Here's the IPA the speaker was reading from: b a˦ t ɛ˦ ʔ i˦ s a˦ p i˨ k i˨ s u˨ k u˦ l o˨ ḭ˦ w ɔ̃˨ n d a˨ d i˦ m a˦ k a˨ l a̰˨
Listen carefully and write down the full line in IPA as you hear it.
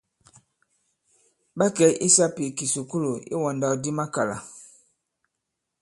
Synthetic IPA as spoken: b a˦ k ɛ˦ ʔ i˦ s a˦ p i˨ k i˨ s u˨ k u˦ l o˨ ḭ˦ w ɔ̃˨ n d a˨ d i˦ m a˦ k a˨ l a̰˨